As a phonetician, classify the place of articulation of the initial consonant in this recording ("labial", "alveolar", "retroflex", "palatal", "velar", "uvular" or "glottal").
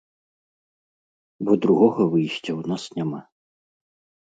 labial